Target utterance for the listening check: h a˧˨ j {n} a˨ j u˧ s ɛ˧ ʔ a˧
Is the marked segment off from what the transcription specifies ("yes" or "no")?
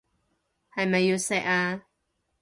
yes